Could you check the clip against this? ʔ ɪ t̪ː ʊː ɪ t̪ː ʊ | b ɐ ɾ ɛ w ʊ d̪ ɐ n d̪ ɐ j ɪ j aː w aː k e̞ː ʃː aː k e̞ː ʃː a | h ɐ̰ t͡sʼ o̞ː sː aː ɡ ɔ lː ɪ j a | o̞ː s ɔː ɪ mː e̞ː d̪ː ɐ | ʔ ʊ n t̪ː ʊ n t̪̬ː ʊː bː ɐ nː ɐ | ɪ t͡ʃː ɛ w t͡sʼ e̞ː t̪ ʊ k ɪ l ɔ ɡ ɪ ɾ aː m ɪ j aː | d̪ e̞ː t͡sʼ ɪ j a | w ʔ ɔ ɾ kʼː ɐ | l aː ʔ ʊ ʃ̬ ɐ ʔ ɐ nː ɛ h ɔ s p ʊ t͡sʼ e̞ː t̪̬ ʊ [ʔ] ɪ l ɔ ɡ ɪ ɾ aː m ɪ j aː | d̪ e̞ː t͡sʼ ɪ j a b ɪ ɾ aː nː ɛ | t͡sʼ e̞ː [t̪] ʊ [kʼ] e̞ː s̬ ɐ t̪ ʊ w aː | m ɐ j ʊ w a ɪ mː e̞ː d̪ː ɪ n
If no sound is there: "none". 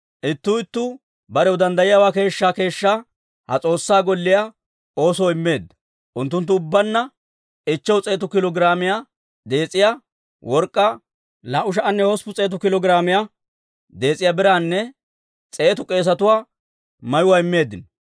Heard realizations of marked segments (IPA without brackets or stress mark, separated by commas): k, t̪, kʼ